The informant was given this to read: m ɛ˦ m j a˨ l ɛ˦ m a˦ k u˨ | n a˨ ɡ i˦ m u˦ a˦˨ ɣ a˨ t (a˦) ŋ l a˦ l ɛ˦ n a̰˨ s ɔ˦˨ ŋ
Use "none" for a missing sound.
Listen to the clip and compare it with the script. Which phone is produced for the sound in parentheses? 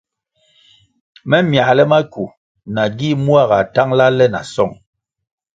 a˦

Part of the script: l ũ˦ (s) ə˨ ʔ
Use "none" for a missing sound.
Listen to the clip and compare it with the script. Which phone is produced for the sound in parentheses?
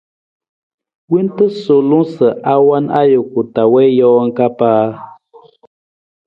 s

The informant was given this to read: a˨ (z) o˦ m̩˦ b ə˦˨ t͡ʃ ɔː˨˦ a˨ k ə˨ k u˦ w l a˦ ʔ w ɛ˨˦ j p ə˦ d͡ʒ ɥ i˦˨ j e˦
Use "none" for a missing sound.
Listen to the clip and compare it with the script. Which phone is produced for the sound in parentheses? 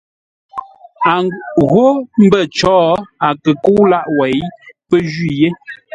ɣ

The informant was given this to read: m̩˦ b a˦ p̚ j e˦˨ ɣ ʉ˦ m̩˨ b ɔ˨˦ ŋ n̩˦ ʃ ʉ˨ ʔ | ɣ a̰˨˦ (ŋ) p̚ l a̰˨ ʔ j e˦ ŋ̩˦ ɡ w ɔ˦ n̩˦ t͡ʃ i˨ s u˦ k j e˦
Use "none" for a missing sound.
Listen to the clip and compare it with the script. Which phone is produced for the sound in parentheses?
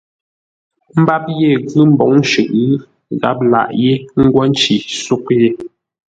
none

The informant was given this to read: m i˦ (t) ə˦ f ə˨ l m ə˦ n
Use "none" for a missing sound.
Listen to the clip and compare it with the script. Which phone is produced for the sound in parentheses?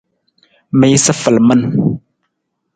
s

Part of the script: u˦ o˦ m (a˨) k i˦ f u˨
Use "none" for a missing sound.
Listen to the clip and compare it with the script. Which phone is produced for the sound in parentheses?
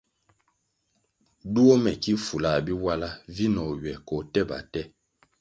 ɛ˨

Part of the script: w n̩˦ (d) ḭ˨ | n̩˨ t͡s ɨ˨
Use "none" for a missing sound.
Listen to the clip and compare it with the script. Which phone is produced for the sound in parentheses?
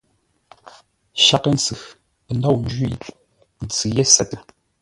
d͡ʒ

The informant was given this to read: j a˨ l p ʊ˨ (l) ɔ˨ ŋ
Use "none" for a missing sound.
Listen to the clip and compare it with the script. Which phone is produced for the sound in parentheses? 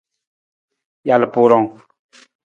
ɾ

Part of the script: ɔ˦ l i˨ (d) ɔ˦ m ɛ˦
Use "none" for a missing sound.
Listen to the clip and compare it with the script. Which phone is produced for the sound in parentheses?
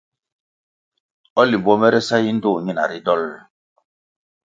b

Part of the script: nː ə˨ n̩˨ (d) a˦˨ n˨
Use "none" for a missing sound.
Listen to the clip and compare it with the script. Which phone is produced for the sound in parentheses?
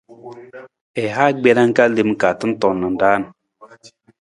d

